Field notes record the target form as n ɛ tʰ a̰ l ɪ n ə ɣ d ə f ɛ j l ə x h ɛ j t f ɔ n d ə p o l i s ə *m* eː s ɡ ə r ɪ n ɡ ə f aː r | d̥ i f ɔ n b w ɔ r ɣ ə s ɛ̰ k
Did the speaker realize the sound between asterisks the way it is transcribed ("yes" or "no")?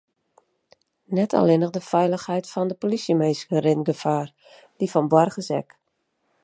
yes